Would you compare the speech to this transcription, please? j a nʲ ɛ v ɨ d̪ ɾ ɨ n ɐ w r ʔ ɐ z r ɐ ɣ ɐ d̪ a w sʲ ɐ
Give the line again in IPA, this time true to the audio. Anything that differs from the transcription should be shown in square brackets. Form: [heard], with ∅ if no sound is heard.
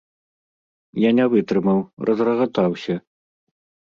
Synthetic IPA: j a nʲ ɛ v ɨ [t̪] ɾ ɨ [m] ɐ w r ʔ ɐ z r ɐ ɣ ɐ [t̪] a w sʲ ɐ